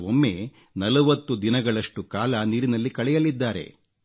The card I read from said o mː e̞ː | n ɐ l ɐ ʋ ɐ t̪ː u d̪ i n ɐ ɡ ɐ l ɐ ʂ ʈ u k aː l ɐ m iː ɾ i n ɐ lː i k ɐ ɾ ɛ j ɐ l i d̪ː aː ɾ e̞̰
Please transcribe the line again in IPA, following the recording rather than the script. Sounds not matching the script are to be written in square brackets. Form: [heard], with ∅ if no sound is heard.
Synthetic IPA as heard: o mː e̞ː | n ɐ l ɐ ʋ ɐ t̪ː u d̪ i n ɐ ɡ ɐ [ɭ] ɐ ʂ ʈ u k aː l ɐ [n] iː ɾ i n ɐ lː i k ɐ [ɭ] ɛ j ɐ l i d̪ː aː ɾ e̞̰